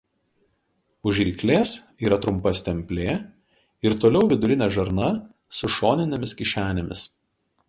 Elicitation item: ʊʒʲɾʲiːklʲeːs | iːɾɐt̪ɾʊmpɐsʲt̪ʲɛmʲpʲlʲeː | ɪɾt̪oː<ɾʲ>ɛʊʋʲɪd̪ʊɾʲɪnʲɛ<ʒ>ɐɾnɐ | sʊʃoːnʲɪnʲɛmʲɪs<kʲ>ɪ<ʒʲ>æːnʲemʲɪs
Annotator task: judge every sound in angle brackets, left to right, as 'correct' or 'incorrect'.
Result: incorrect: lʲ, correct, correct, incorrect: ʃʲ

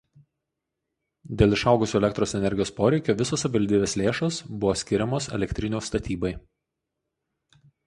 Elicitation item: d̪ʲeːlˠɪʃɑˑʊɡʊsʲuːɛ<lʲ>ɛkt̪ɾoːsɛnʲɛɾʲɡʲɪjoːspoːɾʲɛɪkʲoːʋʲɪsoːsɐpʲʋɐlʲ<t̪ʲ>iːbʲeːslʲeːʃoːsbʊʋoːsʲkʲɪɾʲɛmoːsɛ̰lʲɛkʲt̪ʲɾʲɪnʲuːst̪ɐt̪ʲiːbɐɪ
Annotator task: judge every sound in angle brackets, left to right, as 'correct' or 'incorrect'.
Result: correct, incorrect: d̪ʲ

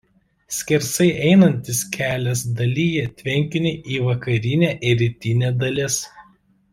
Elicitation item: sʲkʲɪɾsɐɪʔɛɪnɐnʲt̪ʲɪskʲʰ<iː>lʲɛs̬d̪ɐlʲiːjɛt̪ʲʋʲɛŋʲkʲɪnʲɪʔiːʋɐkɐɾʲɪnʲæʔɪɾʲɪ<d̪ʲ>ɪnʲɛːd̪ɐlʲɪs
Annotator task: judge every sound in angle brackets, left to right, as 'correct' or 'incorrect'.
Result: incorrect: æː, incorrect: t̪ʲ

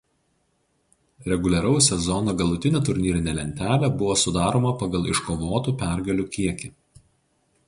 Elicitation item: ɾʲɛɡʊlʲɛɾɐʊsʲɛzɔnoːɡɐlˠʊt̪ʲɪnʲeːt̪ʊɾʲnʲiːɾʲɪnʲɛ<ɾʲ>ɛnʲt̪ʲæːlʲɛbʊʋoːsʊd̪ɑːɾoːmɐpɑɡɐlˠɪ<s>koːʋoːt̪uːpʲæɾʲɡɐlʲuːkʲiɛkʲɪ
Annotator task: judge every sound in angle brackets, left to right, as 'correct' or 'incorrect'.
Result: incorrect: lʲ, incorrect: ʃ

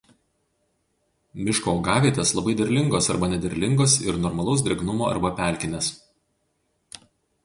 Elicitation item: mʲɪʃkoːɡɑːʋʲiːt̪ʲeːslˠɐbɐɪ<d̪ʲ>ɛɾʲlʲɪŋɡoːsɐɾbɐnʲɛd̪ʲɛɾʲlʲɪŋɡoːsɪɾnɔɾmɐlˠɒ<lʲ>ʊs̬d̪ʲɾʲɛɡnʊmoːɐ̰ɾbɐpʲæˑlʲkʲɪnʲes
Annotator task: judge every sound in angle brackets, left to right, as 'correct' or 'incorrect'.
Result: correct, incorrect: none

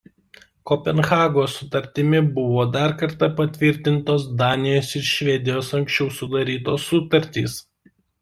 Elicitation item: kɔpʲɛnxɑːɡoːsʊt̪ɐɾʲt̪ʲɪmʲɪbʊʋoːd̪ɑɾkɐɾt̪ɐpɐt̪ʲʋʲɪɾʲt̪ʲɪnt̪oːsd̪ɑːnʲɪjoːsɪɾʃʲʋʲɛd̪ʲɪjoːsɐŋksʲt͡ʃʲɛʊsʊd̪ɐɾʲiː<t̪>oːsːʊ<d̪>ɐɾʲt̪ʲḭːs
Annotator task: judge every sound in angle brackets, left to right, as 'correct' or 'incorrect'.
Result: correct, incorrect: t̪

